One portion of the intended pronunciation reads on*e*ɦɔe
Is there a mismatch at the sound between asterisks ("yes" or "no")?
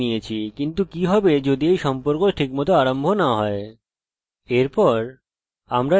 yes